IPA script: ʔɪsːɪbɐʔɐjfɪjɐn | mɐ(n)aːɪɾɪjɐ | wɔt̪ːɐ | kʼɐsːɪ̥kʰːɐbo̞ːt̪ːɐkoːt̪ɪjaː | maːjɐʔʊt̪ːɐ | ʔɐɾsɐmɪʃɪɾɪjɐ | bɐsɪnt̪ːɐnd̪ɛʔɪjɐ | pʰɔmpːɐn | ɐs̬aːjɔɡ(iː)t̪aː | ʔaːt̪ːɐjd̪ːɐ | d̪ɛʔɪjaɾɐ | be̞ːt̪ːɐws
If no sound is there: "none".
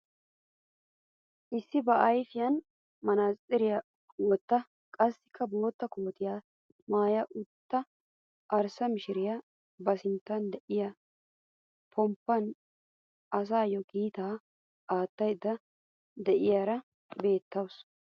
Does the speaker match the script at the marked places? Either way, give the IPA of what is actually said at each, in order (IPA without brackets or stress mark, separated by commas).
n, iː